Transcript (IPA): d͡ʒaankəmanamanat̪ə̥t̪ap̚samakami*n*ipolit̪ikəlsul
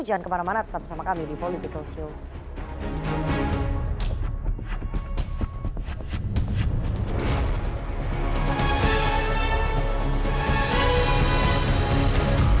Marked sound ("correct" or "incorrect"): incorrect